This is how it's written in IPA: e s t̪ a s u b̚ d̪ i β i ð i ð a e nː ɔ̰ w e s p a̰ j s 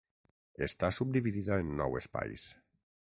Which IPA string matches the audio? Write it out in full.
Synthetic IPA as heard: e s t̪ a s u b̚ d̪ i β i ð i ð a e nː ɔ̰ w e s p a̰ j s